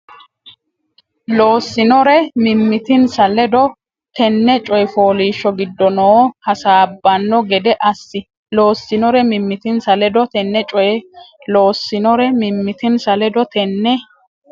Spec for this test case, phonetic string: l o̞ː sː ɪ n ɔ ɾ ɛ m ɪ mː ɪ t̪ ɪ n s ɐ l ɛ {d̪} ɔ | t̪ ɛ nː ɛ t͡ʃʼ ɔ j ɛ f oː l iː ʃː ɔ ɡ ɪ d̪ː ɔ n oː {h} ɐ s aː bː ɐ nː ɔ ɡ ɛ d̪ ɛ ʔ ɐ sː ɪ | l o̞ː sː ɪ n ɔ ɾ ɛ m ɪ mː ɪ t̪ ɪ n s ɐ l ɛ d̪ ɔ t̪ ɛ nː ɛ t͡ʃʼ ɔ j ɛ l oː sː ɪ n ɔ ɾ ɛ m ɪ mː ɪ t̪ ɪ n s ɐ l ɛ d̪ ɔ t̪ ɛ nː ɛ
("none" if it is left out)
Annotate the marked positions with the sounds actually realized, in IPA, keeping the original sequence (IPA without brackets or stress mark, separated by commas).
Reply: d̪, h